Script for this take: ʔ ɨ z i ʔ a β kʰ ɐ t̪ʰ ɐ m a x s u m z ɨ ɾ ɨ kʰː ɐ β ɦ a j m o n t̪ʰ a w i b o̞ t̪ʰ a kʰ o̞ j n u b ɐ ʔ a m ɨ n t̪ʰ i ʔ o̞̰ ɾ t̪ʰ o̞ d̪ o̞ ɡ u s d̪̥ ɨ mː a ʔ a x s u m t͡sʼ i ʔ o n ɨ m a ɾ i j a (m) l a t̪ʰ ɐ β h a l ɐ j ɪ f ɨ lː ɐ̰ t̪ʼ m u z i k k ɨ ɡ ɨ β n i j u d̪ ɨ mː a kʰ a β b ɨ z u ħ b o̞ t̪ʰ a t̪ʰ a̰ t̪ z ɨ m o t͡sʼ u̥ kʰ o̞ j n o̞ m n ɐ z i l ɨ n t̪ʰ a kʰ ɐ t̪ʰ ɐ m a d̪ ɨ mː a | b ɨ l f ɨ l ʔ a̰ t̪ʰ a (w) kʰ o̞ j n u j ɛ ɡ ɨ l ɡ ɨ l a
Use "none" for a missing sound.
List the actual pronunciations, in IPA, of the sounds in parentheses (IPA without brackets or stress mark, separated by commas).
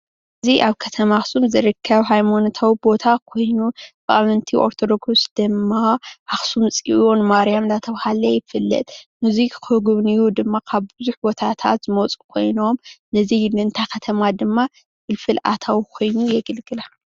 m, w